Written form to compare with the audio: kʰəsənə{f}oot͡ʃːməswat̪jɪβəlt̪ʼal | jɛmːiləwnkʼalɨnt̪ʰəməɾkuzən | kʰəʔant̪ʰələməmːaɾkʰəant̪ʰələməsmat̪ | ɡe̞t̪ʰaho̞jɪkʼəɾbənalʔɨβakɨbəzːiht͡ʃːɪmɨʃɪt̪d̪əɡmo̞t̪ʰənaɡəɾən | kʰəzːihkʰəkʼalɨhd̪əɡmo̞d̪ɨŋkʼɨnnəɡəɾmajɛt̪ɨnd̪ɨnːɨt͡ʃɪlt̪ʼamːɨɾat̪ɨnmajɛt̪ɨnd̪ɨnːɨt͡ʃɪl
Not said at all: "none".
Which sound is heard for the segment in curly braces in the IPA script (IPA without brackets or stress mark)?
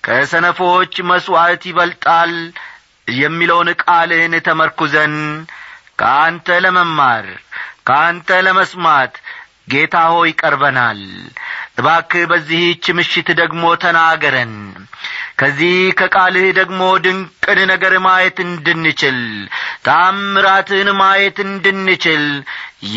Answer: f